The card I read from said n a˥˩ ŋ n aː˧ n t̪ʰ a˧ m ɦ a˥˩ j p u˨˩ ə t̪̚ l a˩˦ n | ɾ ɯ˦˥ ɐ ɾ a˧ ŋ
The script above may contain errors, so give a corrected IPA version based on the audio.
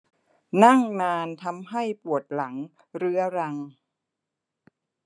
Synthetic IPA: n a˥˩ ŋ n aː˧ n t̪ʰ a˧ m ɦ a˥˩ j p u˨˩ ə t̪̚ l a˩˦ ŋ | ɾ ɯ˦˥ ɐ ɾ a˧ ŋ